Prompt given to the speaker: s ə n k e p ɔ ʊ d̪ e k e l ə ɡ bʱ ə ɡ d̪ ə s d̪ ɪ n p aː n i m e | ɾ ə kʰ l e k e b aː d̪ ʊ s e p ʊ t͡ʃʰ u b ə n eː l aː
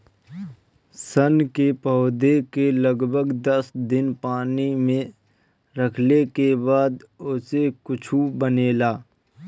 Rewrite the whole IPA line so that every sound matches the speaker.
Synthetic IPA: s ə n k e p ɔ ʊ d̪ e k e l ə ɡ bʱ ə ɡ d̪ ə s d̪ ɪ n p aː n i m ẽ | ɾ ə kʰ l e k e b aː d̪ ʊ s e k ʊ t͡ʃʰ u b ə n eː l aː